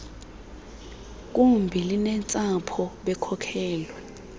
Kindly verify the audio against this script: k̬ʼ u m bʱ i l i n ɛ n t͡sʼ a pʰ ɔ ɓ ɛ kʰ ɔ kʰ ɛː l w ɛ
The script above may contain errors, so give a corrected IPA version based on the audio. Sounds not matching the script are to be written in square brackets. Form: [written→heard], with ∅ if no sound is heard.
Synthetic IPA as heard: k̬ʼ u m bʱ i l i n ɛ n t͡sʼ a pʰ ɔ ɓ ɛ kʰ ɔ kʰ ɛː l w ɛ